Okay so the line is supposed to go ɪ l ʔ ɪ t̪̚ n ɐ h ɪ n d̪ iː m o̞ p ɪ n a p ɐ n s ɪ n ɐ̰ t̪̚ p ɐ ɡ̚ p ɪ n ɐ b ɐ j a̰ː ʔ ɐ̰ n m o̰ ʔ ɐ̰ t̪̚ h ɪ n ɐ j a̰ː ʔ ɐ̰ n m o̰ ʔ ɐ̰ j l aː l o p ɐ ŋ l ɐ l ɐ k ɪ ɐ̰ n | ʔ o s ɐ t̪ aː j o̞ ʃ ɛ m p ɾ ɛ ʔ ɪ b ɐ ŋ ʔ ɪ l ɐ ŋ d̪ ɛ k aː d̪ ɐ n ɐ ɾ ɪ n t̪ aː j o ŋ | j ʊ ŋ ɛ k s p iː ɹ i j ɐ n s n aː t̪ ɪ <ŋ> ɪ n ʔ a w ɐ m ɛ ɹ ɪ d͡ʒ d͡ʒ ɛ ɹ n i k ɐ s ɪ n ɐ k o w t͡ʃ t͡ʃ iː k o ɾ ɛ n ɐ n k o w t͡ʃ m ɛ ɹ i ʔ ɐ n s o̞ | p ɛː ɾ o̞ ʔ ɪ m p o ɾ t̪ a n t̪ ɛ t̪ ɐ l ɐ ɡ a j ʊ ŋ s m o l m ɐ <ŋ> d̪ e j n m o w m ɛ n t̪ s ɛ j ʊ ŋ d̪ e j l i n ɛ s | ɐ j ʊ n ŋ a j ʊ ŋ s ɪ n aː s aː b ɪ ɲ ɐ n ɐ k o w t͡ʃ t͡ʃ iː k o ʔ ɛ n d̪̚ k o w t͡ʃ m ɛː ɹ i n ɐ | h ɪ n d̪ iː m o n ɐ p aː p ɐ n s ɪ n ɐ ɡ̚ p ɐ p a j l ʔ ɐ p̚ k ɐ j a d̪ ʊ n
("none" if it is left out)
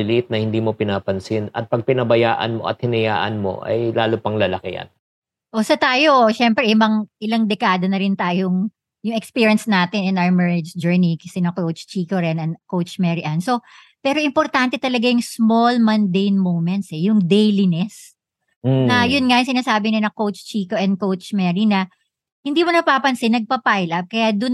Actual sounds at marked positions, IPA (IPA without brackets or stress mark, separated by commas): n, n